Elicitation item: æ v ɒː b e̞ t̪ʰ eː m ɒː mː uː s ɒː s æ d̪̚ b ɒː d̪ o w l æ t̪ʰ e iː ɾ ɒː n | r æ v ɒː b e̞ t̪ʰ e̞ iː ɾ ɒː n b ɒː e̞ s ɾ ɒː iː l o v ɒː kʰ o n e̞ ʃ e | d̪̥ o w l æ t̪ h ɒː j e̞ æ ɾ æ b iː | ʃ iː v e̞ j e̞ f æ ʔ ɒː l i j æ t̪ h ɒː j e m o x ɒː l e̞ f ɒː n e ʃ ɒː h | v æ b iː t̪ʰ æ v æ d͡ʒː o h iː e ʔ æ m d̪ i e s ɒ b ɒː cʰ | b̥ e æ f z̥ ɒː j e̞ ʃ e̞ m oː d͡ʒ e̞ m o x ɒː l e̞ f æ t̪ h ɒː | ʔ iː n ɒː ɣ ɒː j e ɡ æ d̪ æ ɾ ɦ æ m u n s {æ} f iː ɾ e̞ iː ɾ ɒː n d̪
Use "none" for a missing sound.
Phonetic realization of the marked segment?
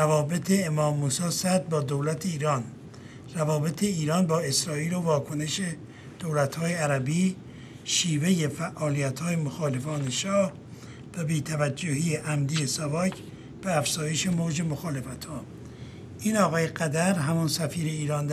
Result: æ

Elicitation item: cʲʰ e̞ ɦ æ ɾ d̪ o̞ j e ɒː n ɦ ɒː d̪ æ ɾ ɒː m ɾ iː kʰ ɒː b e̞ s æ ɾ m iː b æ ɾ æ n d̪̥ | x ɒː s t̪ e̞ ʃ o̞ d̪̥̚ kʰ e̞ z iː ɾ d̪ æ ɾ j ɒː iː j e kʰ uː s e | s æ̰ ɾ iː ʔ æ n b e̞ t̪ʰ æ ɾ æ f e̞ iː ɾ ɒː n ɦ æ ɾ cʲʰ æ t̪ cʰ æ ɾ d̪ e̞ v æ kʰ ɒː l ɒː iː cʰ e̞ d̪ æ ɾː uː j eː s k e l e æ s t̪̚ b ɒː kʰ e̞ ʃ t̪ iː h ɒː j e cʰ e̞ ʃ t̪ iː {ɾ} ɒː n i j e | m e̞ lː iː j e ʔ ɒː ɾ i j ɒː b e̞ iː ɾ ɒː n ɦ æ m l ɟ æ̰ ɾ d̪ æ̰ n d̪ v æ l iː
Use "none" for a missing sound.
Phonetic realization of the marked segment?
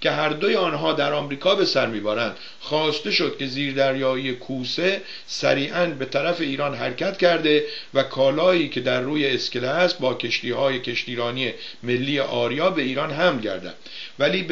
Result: ɾ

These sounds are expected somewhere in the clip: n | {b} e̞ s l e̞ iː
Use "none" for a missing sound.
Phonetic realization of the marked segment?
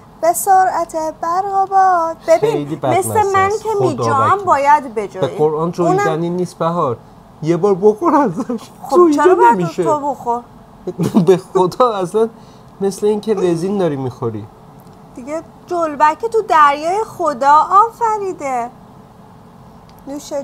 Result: m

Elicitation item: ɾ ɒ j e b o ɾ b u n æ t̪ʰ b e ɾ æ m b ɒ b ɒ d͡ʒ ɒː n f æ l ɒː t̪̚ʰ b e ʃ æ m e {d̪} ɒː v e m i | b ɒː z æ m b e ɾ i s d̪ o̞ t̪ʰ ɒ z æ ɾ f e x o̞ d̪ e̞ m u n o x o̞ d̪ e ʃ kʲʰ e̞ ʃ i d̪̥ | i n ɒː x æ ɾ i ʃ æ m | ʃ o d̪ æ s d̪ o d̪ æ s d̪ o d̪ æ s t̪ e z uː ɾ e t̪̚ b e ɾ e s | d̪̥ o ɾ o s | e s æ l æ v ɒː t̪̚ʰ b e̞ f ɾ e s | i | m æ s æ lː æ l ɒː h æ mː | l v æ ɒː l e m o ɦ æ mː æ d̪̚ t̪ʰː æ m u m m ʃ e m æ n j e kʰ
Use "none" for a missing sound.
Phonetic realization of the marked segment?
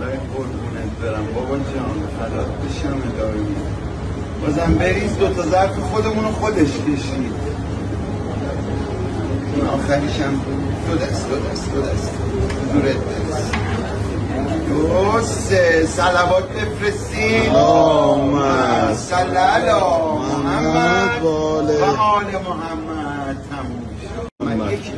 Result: d̪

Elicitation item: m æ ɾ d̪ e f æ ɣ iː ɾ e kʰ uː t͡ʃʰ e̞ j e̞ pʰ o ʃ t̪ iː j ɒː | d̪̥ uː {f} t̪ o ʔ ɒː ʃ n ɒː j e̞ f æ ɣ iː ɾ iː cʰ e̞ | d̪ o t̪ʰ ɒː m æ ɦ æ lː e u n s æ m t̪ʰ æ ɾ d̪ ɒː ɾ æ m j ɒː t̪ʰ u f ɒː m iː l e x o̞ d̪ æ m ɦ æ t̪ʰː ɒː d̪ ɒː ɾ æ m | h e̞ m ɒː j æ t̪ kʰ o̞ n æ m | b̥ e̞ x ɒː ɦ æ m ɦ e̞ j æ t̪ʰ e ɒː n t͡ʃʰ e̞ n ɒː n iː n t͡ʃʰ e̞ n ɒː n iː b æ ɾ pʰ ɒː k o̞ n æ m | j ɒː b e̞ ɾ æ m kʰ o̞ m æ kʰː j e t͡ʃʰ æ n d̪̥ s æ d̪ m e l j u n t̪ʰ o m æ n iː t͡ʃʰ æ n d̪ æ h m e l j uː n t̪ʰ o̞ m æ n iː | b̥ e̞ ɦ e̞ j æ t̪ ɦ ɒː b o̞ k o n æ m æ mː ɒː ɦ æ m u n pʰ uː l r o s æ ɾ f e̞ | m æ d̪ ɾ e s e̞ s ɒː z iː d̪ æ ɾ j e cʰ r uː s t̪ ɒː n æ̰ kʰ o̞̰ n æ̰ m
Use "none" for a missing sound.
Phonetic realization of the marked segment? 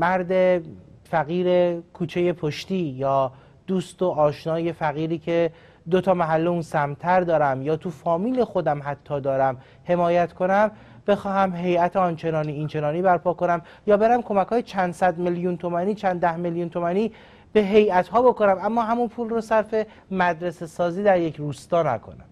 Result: s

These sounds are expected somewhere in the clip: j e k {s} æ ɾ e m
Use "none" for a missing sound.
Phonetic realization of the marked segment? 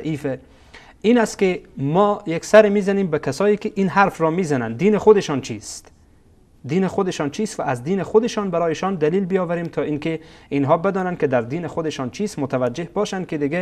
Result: s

